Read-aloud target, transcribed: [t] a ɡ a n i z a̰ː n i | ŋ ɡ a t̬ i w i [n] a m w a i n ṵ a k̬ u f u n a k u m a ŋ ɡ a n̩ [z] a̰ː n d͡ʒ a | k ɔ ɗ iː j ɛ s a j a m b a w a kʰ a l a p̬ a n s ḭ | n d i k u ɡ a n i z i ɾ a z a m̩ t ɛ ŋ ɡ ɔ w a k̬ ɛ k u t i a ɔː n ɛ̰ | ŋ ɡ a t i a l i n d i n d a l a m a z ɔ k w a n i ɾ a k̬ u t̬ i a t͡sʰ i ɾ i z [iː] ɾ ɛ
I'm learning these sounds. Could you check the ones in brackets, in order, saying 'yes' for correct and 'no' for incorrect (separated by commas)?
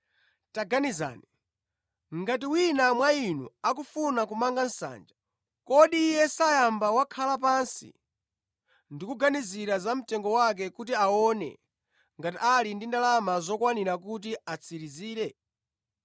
yes, yes, no, yes